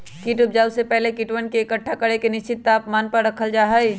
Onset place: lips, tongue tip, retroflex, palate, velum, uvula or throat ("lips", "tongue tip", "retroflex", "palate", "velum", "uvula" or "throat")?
velum